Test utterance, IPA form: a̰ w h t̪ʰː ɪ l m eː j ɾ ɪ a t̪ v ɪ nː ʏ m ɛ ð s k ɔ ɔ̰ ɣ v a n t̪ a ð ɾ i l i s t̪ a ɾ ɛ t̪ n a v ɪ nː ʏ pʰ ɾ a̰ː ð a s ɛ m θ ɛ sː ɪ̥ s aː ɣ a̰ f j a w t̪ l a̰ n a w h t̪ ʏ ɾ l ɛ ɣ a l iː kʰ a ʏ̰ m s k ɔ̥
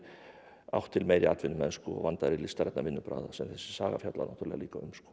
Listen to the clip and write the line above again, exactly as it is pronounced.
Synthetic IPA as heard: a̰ w h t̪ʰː ɪ l m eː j ɾ ɪ a t̪ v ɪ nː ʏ m ɛ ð s k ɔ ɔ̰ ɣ v a n t̪ a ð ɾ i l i s t̪ a ɾ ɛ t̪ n a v ɪ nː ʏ p ɾ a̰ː ð a s ɛ m θ ɛ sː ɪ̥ s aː ɣ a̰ f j a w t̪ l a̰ n a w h t̪ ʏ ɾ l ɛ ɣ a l iː k a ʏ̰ m s k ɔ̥